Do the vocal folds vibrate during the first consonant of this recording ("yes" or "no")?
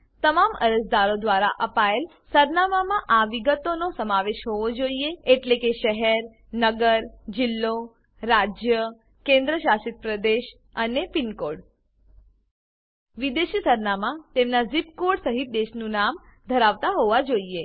no